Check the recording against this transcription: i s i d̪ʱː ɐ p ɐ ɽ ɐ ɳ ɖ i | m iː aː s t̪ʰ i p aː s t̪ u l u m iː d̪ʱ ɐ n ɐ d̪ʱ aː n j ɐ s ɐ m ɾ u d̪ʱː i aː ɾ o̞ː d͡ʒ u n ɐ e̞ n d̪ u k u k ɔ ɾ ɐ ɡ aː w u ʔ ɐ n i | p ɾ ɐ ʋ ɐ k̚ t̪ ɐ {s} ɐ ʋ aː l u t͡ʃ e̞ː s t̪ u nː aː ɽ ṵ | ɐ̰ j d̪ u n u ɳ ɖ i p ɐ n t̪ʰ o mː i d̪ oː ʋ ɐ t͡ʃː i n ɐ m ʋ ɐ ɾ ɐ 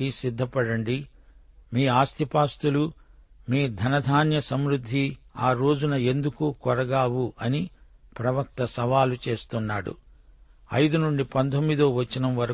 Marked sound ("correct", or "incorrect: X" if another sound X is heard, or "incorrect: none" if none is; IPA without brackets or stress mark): correct